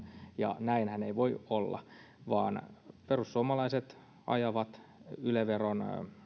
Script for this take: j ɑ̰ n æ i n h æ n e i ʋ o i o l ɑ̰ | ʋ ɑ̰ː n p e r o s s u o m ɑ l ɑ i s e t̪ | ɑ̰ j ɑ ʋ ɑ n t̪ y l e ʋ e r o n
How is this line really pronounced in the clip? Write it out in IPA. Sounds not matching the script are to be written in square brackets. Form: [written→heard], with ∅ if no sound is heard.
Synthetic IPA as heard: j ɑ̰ n æ i n h æ n e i ʋ o i o [l→lː] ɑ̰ | ʋ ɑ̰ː n p e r [o→u] s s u o m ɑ l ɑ i s e t̪ | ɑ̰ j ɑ ʋ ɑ [n→∅] t̪ y l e ʋ e r o n